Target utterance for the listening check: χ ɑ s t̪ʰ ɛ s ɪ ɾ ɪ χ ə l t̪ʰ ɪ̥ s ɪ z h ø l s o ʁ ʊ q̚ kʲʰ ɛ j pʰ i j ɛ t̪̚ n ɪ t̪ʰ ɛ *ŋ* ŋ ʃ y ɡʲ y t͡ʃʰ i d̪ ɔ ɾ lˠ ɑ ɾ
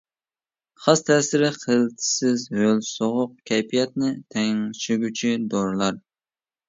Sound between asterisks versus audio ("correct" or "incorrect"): correct